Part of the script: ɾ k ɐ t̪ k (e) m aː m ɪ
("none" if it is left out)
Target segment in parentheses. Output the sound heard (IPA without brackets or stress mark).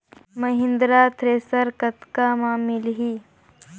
a